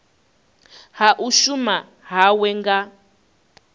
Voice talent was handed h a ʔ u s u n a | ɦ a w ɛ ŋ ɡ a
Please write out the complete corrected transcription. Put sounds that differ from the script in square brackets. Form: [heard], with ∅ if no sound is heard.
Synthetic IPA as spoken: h a ʔ u [ʃ] u [m] a | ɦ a w ɛ ŋ ɡ a